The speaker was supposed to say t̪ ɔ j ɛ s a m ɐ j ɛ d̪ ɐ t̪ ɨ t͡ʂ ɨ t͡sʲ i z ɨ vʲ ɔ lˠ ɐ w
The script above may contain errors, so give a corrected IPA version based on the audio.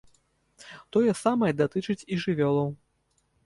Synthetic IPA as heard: t̪ ɔ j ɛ s a m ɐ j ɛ d̪ a t̪ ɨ t͡ʂ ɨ t͡sʲ i ʐ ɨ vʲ ɔ lˠ ɐ w